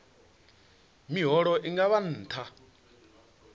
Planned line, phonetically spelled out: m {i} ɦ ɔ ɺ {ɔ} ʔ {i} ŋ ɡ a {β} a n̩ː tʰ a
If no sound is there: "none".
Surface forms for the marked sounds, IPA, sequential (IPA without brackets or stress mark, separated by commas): i, ɔ, i, β